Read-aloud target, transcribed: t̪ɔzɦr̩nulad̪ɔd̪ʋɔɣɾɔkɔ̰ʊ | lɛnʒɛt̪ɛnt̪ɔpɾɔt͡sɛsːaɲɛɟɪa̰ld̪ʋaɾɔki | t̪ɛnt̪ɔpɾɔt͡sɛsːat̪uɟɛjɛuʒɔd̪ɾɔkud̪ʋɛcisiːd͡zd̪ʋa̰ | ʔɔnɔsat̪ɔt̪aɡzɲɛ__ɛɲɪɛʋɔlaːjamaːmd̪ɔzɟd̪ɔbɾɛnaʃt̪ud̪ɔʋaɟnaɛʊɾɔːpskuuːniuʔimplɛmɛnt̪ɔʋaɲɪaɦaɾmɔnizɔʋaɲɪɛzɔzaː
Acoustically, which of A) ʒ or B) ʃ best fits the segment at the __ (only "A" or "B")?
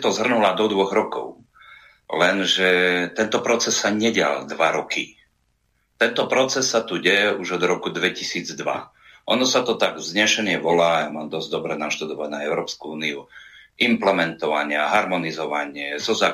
B